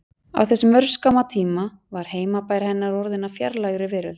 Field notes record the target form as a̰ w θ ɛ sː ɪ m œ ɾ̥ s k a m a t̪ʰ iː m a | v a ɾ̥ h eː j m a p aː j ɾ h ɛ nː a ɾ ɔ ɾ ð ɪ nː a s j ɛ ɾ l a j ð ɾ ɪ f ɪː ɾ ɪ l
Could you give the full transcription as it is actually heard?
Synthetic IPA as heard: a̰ w θ ɛ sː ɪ m œ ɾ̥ s k a m a t̪ʰ iː m a | v a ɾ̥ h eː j m a p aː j ɾ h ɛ nː a ɾ ɔ ɾ ð ɪ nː a f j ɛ ɾ l a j ɣ ɾ ɪ v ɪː ɾ ɪ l

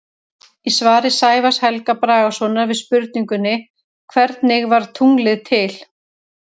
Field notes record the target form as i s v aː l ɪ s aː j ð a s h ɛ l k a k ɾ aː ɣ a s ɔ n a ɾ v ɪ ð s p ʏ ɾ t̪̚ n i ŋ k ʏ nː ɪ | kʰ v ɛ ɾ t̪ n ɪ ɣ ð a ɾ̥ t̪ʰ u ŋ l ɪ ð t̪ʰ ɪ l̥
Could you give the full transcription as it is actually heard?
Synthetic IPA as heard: i s v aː ɾ ɪ s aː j v a s h ɛ l k a p ɾ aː ɣ a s ɔ n a ɾ v ɪ ð s p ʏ ɾ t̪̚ n i ŋ k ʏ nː ɪ | kʰ v ɛ ɾ t̪ n ɪ ɣ v a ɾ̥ t̪ʰ u ŋ l ɪ ð t̪ʰ ɪ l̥

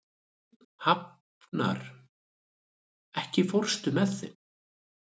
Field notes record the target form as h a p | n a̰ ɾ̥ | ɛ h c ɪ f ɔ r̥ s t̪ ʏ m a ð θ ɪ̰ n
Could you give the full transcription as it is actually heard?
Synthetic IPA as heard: h a p | n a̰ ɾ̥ | ɛ h c ɪ f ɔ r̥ s t̪ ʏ m ɛ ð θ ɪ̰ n

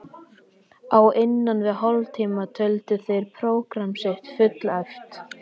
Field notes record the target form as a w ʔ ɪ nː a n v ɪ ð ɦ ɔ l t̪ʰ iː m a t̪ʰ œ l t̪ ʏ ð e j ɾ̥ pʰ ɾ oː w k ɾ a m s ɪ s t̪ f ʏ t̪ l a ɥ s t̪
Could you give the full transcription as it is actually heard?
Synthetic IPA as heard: a w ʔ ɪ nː a n v ɪ ð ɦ ɔ l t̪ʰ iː m a t̪ʰ œ l t̪ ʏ θ e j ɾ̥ pʰ ɾ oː w k ɾ a m s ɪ h t̪ f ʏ t̪ l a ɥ f t̪

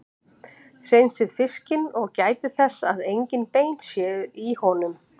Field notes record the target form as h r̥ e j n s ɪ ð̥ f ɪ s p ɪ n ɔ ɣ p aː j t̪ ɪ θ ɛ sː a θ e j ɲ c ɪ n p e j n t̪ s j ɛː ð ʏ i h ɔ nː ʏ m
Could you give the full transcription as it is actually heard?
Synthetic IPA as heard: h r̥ e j n s ɪ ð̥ f ɪ s c ɪ n ɔ ɣ c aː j t̪ ɪ θ ɛ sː a ð e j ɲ c ɪ n p e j n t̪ s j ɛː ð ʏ i h ɔ n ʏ m

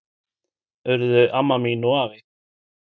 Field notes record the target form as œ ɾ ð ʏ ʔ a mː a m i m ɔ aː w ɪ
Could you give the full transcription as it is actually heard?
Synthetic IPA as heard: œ ɾ ð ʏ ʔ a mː a m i n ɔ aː v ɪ

